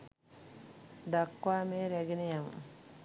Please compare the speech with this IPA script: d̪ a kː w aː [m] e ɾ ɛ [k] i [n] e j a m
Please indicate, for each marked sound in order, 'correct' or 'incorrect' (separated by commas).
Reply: correct, incorrect, correct